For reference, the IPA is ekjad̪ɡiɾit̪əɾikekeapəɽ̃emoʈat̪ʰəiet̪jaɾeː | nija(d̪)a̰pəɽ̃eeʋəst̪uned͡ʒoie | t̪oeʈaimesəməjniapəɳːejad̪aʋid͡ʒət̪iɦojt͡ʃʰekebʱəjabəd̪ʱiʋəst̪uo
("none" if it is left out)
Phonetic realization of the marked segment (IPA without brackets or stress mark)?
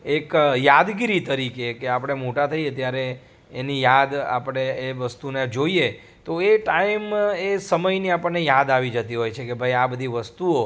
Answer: d̪